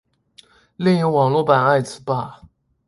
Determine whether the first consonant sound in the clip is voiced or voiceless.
voiced